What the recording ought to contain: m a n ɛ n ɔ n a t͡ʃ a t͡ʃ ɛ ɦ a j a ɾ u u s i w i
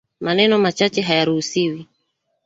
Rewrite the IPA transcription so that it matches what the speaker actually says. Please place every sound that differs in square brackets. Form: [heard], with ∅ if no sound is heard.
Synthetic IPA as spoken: m a n ɛ n ɔ [m] a t͡ʃ a t͡ʃ ɛ ɦ a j a ɾ u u s i w i